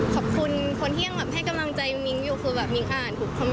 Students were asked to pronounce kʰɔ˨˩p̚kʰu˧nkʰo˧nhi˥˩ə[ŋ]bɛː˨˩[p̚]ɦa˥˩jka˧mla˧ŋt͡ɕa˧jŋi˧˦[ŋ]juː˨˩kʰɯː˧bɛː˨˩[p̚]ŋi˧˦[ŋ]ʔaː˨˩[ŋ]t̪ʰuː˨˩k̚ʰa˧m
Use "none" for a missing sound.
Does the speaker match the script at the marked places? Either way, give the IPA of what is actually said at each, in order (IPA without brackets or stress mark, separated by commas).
ŋ, p̚, ŋ, p̚, ŋ, n